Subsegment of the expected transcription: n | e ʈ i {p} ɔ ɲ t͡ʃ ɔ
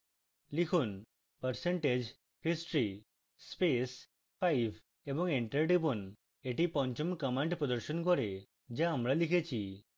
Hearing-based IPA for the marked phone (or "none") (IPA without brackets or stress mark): p